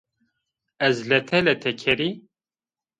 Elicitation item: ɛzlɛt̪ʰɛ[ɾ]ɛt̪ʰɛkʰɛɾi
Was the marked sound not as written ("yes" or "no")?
yes